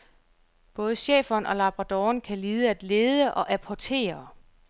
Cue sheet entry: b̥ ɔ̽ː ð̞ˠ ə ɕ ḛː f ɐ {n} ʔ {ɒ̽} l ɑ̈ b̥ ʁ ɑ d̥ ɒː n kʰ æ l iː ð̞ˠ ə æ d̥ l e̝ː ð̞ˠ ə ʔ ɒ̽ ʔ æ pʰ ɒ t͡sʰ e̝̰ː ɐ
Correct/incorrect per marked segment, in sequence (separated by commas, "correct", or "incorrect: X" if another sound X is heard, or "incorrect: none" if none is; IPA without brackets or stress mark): correct, correct